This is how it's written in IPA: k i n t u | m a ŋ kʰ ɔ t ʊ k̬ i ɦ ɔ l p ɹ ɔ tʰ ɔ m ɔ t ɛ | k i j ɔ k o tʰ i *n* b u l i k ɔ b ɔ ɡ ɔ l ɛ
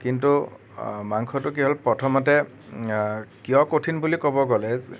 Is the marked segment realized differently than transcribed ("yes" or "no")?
no